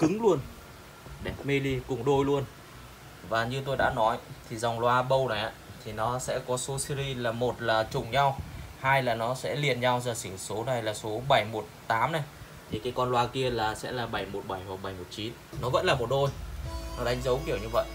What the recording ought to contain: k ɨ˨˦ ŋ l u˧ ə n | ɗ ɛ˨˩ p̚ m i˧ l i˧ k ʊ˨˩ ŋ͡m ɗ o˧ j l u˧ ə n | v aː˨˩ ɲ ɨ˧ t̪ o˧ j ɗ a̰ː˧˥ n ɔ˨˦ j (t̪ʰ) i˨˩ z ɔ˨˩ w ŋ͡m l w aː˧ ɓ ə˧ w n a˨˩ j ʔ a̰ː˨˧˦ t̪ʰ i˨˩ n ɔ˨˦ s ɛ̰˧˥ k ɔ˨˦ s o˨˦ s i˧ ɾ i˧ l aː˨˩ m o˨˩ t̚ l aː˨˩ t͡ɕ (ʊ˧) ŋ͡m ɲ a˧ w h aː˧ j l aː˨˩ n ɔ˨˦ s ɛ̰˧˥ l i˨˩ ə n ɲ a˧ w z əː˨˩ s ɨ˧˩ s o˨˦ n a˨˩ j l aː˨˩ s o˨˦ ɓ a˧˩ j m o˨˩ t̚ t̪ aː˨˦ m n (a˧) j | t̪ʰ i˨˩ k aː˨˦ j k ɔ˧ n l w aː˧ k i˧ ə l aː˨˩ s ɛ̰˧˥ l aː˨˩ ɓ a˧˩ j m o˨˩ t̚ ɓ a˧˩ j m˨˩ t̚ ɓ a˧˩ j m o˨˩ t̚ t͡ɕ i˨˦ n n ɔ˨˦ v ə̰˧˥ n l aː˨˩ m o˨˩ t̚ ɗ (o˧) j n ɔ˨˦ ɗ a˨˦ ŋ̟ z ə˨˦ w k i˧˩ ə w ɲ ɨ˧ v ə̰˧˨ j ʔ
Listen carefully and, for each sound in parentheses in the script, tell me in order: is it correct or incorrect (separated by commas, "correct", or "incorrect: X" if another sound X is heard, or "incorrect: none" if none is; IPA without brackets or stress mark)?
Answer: correct, incorrect: ʊ˨˩, incorrect: a˨˩, correct